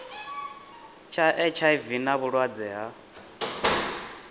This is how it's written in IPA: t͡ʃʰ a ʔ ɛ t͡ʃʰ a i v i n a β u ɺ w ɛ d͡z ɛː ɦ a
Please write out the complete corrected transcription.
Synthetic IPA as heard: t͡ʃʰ a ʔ ɛ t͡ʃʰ a i v i n a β u ɺ w a d͡z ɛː ɦ a